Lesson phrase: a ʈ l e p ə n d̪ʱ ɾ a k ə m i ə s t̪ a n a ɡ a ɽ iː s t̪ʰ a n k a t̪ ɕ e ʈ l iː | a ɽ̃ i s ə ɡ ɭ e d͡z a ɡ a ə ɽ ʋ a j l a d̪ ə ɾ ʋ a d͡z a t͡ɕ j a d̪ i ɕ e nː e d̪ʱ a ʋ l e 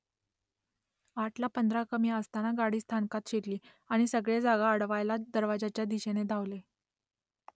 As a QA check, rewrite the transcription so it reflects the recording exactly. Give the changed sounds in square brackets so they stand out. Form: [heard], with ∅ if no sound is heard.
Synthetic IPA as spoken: a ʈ l [a] p ə n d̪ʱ ɾ a k ə m i ə s t̪ a n a ɡ a ɽ iː s t̪ʰ a n k a t̪ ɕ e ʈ l iː | a ɽ̃ i s ə ɡ ɭ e d͡z a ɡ a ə ɽ ʋ a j l a d̪ ə ɾ ʋ a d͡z a t͡ɕ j a d̪ i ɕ e [n] e d̪ʱ a ʋ l e